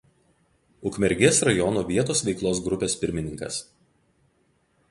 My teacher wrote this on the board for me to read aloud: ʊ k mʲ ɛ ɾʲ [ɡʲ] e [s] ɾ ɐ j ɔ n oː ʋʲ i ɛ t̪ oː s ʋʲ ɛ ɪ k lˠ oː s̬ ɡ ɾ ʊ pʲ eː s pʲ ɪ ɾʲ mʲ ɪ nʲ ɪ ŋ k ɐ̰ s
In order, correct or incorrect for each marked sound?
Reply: correct, correct

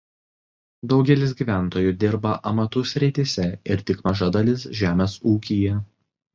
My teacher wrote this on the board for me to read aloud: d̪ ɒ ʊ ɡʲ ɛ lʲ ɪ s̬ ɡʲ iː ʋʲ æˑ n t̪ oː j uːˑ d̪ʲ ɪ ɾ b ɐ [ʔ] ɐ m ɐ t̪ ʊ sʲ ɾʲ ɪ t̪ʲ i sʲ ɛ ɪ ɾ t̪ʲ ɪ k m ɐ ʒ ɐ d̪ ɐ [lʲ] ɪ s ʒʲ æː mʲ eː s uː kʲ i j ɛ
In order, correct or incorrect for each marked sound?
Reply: correct, correct

